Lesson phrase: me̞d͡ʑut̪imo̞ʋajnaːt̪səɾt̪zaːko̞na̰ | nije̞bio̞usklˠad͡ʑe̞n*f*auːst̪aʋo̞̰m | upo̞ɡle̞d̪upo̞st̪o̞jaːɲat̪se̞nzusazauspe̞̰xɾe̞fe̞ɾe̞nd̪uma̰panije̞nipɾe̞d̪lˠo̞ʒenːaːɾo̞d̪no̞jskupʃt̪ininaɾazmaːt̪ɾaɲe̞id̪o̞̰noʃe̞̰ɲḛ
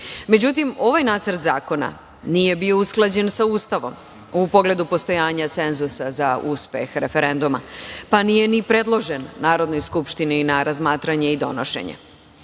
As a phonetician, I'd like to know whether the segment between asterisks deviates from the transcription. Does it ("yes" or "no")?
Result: yes